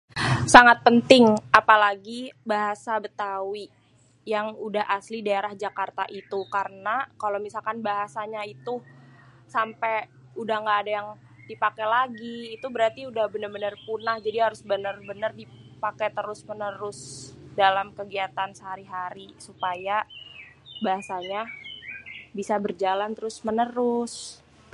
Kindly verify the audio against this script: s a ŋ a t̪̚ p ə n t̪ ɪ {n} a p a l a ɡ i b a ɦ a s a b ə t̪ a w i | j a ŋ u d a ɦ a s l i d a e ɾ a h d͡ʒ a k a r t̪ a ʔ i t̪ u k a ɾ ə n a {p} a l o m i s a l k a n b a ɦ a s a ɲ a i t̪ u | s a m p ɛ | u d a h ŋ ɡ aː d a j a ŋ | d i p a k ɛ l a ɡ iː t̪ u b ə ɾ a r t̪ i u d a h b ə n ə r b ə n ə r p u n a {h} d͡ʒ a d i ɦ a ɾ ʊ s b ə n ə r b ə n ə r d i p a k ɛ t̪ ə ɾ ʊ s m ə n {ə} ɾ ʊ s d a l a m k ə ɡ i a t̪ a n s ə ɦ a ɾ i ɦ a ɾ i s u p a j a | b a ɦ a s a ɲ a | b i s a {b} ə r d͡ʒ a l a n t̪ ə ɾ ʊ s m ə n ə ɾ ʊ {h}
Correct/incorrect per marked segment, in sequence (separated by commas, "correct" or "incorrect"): incorrect, incorrect, correct, correct, correct, incorrect